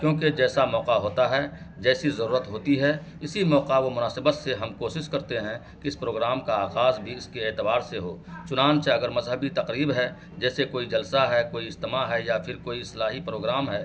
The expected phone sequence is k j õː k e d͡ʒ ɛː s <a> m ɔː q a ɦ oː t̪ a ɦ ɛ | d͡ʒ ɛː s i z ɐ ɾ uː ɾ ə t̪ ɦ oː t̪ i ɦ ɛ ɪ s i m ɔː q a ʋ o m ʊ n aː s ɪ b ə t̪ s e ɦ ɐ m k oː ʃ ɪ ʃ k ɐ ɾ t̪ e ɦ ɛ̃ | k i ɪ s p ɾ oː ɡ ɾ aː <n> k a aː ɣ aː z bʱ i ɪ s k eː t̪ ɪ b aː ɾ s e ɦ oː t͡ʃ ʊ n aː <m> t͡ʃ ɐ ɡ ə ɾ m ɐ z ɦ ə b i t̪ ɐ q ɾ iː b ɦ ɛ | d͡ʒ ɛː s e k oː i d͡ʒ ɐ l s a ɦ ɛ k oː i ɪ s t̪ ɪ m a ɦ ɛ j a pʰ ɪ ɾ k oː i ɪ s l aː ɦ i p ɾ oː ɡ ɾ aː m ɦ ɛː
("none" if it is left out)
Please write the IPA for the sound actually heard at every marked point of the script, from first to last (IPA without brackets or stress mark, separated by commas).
a, m, n